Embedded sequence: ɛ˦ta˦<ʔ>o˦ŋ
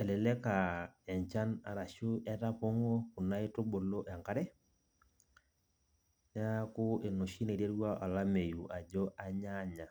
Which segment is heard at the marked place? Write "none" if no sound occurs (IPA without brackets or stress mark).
p